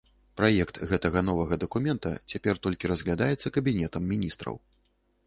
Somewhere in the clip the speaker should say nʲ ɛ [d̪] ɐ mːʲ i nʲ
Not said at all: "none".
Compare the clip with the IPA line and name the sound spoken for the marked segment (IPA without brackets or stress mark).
t̪